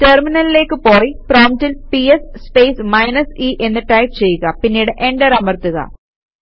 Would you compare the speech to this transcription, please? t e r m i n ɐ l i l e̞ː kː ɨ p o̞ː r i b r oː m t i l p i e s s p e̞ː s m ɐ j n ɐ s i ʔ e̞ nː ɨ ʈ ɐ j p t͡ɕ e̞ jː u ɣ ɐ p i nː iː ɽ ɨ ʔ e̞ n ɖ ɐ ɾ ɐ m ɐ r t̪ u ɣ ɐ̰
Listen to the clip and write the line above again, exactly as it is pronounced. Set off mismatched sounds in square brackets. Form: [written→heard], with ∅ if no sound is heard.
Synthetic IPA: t e r m i n ɐ l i l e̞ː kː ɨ p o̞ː r i [b→p] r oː m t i l p i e s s p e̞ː s m ɐ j n ɐ s i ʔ e̞ nː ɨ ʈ ɐ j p t͡ɕ e̞ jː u ɣ ɐ p i nː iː ɽ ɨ ʔ e̞ [n→ɳ] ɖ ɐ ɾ ɐ m ɐ r t̪ u ɣ ɐ̰